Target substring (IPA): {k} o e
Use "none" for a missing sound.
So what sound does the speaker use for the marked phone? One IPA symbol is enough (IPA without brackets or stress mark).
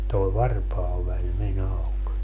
t